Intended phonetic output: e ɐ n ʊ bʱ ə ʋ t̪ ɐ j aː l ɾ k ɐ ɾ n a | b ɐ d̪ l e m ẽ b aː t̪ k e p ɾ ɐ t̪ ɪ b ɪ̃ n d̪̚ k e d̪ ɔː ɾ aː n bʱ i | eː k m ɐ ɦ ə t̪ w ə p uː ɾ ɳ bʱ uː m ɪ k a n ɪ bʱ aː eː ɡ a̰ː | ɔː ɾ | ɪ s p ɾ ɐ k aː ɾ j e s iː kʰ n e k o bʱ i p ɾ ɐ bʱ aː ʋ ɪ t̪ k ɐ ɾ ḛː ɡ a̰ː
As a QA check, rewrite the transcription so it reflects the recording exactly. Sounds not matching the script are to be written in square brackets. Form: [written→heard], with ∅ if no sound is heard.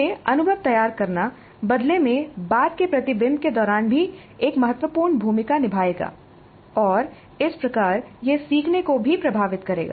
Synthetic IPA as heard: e ɐ n ʊ bʱ ə ʋ t̪ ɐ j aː [l→∅] ɾ k ɐ ɾ n a | b ɐ d̪ l e m ẽ b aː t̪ k e p ɾ ɐ t̪ ɪ b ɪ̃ n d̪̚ k e d̪ ɔː ɾ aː n bʱ i | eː k m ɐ ɦ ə t̪ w ə p uː ɾ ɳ bʱ uː m ɪ k a n ɪ bʱ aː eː ɡ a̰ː | ɔː ɾ | ɪ s p ɾ ɐ k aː ɾ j e s iː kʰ n e k o bʱ i p ɾ ɐ bʱ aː ʋ ɪ t̪ k ɐ ɾ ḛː ɡ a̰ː